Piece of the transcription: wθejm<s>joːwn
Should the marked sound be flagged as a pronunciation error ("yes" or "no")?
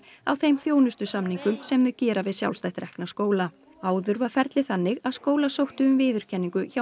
yes